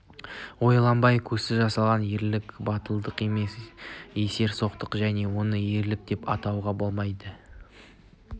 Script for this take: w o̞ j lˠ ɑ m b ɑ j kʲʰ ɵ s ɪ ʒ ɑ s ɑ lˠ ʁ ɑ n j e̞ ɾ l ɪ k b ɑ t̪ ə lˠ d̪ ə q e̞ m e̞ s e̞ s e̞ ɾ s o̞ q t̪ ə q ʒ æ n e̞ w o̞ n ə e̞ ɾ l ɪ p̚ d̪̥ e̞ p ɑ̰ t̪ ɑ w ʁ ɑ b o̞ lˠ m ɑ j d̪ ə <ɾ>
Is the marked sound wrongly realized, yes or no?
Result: yes